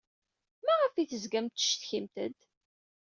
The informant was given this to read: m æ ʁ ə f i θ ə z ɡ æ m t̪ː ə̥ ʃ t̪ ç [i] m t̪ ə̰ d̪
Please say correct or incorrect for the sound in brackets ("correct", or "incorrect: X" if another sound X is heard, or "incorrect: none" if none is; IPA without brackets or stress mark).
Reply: correct